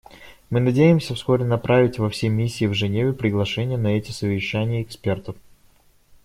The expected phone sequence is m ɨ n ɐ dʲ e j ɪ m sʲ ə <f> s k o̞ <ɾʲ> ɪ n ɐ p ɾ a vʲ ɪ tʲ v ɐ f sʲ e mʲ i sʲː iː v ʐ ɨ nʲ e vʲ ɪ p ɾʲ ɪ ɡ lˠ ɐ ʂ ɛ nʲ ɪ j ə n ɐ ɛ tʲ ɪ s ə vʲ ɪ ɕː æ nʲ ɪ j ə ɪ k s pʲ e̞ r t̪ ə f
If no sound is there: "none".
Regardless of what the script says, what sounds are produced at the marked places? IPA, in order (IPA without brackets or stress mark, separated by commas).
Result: f, ɾʲ